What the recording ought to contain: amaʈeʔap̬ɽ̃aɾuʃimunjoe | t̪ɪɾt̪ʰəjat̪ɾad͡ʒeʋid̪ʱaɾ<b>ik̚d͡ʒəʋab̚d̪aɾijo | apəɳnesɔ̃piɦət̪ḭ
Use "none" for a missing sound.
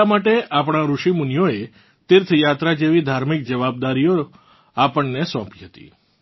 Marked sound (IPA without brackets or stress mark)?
m